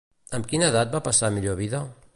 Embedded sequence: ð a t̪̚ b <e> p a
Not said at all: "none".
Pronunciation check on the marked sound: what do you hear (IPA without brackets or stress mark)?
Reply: a